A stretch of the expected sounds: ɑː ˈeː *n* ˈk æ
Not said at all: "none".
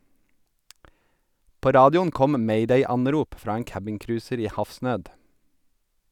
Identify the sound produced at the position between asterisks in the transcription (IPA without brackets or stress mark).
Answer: ŋ